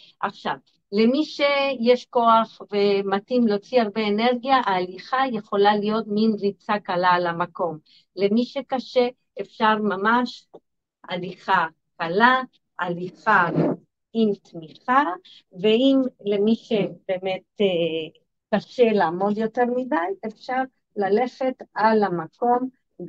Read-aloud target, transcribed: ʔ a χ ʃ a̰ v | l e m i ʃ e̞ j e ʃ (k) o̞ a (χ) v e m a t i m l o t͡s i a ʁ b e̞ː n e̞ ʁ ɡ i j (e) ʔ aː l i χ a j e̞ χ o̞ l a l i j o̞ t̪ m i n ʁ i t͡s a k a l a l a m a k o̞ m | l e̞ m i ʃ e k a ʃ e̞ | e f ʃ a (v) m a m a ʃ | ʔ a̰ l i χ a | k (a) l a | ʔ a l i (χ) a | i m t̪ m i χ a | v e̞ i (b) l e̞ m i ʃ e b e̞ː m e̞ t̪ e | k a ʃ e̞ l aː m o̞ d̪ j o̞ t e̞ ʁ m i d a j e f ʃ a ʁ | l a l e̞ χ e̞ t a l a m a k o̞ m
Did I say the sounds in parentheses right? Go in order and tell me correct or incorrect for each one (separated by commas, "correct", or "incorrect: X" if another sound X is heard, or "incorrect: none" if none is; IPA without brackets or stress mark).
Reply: correct, correct, incorrect: a, incorrect: ʁ, correct, correct, incorrect: m